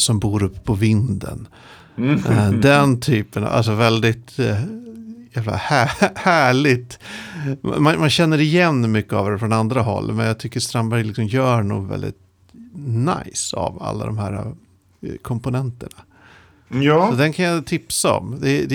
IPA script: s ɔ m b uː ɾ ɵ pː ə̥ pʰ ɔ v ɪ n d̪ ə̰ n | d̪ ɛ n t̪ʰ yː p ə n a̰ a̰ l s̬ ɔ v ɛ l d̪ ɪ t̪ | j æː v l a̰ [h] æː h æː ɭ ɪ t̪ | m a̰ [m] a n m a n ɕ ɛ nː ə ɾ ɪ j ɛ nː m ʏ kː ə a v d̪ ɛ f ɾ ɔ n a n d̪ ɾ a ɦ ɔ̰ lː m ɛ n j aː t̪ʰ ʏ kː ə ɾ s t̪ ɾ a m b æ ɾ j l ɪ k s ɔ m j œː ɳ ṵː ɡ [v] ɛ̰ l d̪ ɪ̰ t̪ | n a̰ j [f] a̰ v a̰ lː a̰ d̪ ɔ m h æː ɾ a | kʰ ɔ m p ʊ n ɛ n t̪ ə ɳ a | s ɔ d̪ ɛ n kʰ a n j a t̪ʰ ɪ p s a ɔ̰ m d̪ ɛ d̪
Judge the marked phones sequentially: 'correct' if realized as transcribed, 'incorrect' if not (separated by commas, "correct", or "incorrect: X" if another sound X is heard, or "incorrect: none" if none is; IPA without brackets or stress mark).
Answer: correct, correct, correct, incorrect: s